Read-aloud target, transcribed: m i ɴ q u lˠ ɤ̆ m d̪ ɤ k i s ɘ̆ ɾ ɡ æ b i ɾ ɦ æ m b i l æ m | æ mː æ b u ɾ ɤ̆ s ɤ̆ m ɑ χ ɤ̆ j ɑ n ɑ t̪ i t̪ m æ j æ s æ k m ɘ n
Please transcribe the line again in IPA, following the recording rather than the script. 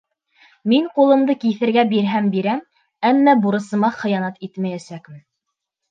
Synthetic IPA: m i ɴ q u lˠ ɤ̆ m d̪ ɤ k i θ ɘ̆ ɾ ɡ æ b i ɾ ɦ æ m b i ɾ æ m | æ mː æ b u ɾ ɤ̆ s ɤ̆ m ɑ χ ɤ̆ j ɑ n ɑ t̪ i t̪ m æ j æ s æ k m ɘ n